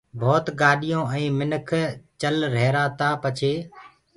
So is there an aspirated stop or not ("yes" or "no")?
yes